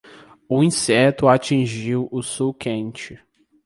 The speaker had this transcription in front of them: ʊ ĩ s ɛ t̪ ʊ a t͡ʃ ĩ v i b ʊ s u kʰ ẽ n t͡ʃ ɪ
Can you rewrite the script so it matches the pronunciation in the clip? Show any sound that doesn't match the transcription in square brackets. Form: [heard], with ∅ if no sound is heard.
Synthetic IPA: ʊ ĩ s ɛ t̪ ʊ a t͡ʃ ĩ [ʒ] i [w] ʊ s u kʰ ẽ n t͡ʃ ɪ